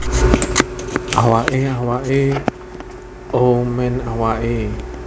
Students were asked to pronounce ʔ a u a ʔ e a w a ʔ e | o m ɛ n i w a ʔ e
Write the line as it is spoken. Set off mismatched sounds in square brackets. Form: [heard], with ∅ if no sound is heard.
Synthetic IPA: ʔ a [w] a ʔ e a w a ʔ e | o m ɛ n [a] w a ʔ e